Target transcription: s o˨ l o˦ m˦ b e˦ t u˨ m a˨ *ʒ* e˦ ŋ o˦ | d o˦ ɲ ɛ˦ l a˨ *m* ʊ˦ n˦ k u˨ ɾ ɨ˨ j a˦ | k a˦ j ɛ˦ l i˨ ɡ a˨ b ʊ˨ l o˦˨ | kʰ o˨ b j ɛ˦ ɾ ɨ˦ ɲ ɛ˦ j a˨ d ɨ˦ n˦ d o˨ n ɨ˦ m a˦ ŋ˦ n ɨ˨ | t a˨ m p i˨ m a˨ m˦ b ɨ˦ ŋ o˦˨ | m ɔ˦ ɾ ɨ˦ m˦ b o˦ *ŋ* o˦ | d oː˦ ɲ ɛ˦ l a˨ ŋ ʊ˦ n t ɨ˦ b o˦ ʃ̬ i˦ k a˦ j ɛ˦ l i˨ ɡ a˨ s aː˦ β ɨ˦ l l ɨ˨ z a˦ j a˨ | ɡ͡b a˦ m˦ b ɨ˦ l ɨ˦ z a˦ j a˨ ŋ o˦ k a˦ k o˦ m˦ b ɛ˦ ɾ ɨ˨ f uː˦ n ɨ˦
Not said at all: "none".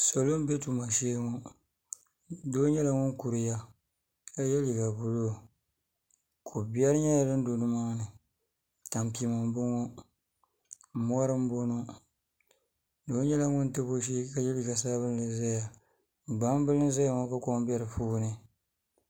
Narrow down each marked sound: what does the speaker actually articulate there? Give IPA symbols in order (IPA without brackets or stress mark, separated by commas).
ʃ, ŋ, n